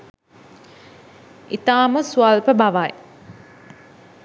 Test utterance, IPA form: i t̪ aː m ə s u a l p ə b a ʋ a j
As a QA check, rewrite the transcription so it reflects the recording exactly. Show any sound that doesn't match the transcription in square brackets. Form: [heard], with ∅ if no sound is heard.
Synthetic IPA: i t̪ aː m ə s u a l p ə b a ʋ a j